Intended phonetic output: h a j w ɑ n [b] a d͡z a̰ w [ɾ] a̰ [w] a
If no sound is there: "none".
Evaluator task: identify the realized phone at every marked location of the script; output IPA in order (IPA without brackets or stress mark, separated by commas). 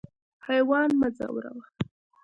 m, ɾ, w